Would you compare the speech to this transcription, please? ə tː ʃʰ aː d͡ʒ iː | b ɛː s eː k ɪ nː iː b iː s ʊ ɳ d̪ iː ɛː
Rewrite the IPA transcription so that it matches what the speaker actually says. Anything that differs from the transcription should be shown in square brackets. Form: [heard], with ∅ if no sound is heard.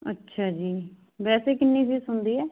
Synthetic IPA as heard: ə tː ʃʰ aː d͡ʒ iː | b ɛː s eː k ɪ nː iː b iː s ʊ [n] d̪ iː ɛː